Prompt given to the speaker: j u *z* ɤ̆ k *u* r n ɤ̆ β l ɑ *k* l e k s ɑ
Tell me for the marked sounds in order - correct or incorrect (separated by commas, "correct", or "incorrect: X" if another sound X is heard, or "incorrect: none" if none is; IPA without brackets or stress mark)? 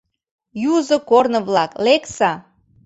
correct, incorrect: o, correct